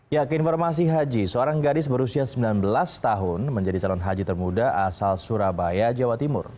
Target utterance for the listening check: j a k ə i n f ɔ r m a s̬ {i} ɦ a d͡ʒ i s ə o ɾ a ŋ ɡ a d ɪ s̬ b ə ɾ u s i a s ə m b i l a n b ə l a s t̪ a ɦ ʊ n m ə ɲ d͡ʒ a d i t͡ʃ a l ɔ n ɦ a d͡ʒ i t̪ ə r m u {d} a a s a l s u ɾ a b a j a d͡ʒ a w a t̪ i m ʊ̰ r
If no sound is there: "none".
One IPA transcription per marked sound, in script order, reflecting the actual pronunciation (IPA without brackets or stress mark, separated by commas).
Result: i, d